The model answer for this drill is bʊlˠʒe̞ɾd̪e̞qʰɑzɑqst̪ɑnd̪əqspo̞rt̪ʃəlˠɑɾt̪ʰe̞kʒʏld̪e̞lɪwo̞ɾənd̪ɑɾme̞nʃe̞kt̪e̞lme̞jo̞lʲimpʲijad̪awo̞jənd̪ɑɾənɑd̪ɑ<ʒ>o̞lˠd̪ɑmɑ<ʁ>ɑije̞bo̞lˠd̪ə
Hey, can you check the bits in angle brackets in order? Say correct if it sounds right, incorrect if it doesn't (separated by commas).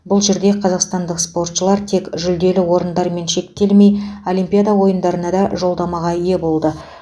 correct, correct